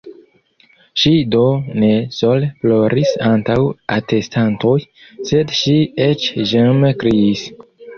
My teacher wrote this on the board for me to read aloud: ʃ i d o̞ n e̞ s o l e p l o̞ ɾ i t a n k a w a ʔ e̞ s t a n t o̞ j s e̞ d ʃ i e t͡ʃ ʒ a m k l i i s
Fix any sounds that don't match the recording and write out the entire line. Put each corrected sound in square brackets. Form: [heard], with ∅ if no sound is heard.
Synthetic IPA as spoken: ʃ i d o̞ n e̞ s o l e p l o̞ ɾ i [s] a n [t] a w a [t] e̞ s t a n t o̞ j s e̞ d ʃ i e t͡ʃ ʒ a m k [ɾ] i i s